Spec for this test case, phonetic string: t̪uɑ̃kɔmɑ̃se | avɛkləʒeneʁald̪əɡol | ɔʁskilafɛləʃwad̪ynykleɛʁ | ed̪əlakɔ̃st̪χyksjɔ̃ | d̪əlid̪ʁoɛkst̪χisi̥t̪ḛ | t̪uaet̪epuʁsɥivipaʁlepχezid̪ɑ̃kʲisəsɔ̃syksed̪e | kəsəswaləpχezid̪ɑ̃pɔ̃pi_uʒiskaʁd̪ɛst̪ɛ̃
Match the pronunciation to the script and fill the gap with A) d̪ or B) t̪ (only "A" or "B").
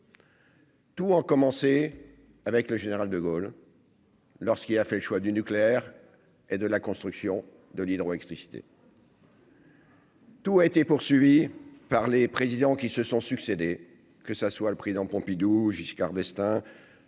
A